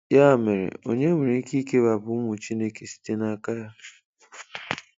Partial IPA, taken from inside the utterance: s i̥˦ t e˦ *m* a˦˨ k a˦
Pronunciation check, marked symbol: incorrect: n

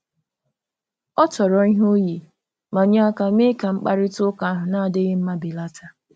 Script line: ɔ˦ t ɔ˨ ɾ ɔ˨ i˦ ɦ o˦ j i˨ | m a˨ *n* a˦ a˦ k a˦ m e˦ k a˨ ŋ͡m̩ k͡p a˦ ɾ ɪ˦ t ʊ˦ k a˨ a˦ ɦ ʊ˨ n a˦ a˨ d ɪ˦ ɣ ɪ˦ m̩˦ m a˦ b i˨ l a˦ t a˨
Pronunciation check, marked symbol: incorrect: ɲ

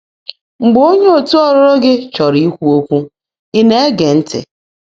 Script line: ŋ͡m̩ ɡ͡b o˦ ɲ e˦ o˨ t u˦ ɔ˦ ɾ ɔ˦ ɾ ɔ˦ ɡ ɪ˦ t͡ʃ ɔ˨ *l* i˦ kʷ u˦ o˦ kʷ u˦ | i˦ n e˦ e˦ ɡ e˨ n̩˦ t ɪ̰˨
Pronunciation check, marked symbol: incorrect: ɾ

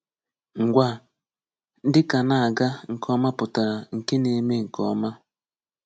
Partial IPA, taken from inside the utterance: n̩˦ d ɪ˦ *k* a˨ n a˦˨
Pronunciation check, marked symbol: correct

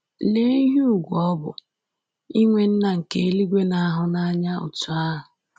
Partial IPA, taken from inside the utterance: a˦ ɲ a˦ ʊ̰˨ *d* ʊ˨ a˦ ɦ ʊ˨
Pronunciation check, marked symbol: incorrect: t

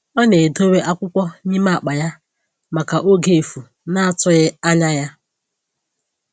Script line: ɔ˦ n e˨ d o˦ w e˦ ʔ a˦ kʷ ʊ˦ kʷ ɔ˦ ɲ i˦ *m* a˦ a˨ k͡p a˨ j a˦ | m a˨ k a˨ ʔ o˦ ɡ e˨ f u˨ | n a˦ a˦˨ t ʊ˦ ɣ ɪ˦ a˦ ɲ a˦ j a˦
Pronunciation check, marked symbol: correct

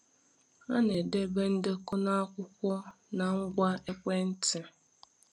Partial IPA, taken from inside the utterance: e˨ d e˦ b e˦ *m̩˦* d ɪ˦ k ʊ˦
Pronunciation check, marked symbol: incorrect: n̩˦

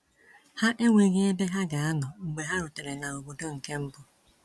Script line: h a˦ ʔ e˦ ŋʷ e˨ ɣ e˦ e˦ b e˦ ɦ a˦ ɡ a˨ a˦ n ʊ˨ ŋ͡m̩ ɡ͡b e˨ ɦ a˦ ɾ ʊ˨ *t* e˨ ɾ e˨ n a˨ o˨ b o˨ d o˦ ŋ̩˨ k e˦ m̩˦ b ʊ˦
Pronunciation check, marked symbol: correct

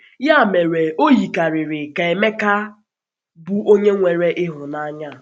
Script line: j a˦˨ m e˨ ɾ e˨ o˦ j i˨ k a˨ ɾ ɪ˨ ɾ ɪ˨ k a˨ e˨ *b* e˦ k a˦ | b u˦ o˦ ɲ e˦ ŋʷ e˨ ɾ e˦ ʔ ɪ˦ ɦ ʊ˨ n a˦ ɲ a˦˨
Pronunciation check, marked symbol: incorrect: m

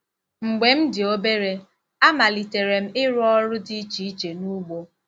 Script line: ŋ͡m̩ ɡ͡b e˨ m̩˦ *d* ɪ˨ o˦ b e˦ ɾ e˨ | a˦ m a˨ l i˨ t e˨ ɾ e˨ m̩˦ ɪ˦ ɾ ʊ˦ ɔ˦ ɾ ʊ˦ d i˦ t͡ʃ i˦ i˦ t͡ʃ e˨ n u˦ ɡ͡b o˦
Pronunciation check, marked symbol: correct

